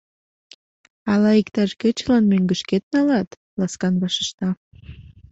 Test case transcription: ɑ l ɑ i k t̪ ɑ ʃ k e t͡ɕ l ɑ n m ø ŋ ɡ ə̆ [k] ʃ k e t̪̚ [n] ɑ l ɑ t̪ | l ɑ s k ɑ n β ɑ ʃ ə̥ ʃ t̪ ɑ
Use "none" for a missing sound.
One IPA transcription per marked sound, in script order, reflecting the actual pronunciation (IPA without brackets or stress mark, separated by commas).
none, n